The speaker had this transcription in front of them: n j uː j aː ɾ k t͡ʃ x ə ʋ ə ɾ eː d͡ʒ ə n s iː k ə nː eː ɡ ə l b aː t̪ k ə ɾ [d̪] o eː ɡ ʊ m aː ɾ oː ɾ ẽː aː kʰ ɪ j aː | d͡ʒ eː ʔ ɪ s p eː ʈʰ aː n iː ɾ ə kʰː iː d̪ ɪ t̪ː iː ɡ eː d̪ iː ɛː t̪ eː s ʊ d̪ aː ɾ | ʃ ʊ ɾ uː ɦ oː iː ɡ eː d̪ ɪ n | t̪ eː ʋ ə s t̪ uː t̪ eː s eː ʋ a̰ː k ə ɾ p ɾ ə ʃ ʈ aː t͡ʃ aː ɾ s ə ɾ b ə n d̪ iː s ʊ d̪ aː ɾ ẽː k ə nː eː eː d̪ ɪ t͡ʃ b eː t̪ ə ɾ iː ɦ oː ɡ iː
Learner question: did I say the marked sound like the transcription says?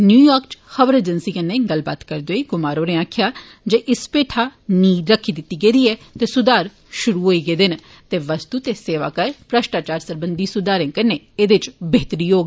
yes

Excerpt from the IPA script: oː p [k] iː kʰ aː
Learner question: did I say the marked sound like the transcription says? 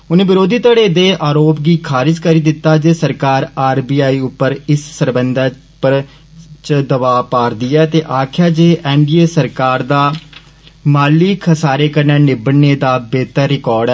no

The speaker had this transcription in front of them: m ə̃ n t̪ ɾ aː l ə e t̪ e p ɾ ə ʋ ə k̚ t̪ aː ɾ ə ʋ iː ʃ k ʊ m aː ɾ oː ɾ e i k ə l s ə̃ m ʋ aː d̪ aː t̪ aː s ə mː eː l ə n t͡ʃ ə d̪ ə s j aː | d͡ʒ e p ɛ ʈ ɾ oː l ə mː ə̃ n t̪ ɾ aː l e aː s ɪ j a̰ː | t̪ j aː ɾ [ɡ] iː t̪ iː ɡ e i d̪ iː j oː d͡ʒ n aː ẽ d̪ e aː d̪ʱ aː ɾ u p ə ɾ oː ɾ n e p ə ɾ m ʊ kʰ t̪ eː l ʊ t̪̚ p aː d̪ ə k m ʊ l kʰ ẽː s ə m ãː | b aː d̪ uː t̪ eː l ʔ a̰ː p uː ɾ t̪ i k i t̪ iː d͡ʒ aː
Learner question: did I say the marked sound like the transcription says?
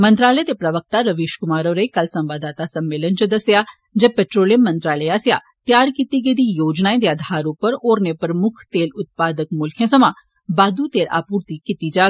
no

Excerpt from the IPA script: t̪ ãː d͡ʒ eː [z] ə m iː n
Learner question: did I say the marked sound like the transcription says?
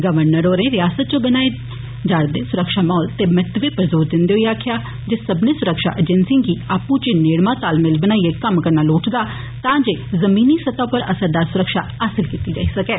yes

